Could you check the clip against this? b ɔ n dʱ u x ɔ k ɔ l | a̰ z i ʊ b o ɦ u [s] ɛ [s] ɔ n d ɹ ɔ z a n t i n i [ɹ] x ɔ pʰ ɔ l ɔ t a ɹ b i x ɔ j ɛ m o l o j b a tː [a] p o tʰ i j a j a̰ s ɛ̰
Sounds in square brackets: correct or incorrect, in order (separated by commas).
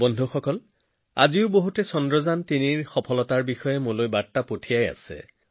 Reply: incorrect, correct, correct, correct